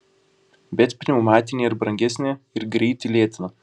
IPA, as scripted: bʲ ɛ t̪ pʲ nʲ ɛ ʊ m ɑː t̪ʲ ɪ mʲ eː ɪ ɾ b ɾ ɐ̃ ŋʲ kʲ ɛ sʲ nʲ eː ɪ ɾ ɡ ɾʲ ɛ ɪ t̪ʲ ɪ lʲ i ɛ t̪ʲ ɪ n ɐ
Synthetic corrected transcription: bʲ ɛ t̪ pʲ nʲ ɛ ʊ m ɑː t̪ʲ ɪ nʲ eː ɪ ɾ b ɾ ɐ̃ ŋʲ ɡʲ ɛ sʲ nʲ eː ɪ ɾ ɡ ɾʲ ɛ ɪ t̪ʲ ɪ lʲ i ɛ t̪ʲ ɪ n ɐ